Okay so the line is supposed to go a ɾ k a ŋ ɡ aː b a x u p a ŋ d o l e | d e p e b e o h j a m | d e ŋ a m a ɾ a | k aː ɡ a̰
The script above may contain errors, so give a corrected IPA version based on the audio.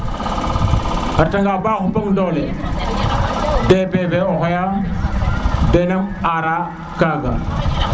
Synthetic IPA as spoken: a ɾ t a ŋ ɡ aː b a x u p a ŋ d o l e | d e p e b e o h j a m | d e n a m a ɾ a | k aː ɡ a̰